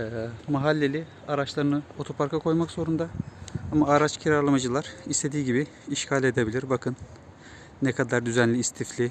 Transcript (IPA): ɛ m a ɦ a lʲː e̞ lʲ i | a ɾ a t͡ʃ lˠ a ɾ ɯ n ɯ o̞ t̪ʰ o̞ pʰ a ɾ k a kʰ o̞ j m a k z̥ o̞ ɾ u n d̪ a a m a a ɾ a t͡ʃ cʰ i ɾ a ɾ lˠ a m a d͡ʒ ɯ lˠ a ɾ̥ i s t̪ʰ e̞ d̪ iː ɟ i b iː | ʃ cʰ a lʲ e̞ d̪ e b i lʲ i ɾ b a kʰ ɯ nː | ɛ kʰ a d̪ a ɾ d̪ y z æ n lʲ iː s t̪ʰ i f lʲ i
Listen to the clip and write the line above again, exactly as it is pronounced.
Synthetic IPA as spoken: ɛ m a ɦ a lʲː e̞ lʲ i | a ɾ a t͡ʃ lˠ a ɾ ɯ n ɯ o̞ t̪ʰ o̞ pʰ a ɾ k a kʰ o̞ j m a k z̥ o̞ ɾ u n d̪ a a m a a ɾ a t͡ʃ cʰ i ɾ a ɾ lˠ a m a d͡ʒ ɯ lˠ a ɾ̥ i s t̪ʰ e̞ d̪ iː ɟ i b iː | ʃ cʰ a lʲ e̞ d̪ e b i lʲ i ɾ b a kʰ ɯ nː | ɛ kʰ a d̪ a ɾ d̪ y z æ n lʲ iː s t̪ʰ i f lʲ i